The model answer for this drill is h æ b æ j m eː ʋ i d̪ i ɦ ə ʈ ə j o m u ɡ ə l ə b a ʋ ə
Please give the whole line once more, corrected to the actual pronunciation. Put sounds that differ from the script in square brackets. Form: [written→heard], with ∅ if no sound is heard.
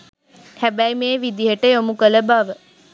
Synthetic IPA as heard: h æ b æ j m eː ʋ i d̪ i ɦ ə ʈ ə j o m u [ɡ→k] ə l ə b a ʋ ə

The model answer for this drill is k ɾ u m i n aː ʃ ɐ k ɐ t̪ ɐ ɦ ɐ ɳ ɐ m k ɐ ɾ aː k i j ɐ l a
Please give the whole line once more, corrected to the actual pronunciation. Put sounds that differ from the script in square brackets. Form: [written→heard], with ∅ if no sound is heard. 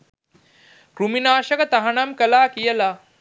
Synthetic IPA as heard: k ɾ u m i n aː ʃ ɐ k ɐ t̪ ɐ ɦ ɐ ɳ ɐ m k ɐ [ɾ→l] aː k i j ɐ l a

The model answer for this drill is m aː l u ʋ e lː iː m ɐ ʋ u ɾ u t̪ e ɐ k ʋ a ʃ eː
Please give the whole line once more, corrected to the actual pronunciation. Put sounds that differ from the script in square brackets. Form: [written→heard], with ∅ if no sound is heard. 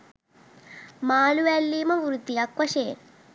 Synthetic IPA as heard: m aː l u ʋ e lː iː m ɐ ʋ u ɾ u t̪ [e→i] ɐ k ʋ [a→ɐ] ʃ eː

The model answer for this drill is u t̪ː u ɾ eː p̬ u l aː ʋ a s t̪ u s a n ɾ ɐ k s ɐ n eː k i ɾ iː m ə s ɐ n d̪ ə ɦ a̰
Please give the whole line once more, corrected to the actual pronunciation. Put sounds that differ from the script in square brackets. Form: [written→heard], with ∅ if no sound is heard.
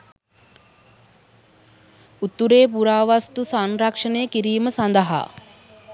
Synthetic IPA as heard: u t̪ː u ɾ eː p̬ u [l→ɾ] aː ʋ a s t̪ u s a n ɾ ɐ k [s→ʂ] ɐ n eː k i ɾ iː m ə s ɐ n d̪ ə ɦ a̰

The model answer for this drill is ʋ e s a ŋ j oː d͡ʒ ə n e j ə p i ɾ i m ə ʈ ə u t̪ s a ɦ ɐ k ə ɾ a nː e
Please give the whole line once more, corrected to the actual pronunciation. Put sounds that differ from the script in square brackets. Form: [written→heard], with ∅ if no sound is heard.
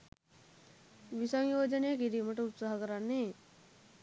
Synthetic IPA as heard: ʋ [e→i] s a ŋ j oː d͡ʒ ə n e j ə [p→k] i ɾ i m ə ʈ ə u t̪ s a ɦ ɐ k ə ɾ a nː e

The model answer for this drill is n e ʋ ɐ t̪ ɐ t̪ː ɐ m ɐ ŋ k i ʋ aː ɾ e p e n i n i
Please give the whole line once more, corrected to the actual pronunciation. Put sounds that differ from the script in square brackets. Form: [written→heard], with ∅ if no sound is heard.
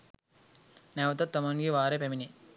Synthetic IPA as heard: n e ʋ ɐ t̪ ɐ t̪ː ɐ m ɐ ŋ [k→ɡ] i ʋ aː ɾ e p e [n→m] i n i

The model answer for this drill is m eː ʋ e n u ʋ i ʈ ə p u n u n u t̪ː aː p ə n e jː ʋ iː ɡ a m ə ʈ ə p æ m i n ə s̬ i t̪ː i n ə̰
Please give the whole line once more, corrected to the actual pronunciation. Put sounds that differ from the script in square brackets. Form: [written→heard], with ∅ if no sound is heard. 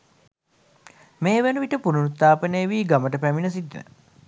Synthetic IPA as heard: m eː ʋ e n u ʋ i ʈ ə p u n u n u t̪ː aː p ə n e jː ʋ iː ɡ a m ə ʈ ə p æ m i n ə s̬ i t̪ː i n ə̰

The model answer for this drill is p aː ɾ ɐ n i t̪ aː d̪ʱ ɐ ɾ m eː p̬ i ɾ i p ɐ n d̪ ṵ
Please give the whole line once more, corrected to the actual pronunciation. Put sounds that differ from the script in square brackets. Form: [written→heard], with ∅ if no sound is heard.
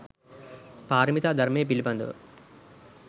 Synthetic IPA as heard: p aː ɾ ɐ [n→m] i t̪ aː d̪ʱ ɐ ɾ m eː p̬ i [ɾ→l] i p ɐ n d̪ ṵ

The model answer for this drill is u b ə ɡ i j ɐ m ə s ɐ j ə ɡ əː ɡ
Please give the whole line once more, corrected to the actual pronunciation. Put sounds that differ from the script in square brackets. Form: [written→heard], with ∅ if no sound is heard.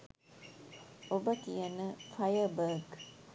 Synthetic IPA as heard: [u→o] b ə [ɡ→k] i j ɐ [m→n] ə [s→f] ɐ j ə [ɡ→b] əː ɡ

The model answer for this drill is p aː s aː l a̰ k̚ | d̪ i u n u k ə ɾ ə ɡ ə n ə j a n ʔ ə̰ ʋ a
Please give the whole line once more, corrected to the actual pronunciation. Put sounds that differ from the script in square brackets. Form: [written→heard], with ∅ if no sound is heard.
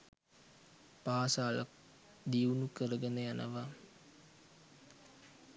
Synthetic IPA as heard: p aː s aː l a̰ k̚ | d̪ i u n u k ə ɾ ə ɡ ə n ə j a n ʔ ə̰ ʋ a

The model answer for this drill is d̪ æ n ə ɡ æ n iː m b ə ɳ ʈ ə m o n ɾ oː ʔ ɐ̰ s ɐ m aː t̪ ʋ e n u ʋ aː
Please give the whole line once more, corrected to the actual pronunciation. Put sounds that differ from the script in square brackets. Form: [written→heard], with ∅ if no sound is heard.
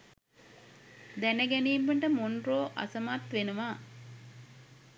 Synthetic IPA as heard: d̪ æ n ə ɡ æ n iː m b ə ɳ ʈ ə m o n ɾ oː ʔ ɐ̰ s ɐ m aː t̪ ʋ e n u ʋ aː

